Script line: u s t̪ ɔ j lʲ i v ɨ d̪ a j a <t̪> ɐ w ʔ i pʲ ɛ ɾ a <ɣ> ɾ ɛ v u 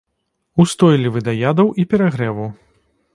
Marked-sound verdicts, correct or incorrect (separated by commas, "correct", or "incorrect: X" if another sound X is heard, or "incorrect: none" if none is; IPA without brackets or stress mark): incorrect: d̪, correct